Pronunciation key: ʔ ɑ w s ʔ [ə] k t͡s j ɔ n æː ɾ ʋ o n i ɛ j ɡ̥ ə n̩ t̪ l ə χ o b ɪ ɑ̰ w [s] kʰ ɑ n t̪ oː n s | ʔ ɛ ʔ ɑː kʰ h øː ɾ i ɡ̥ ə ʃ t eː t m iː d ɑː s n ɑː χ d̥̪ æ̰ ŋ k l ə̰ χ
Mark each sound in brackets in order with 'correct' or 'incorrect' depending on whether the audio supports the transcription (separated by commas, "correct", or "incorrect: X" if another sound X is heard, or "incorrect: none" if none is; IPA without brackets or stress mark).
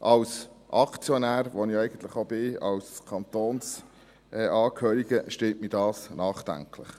incorrect: ɑ, correct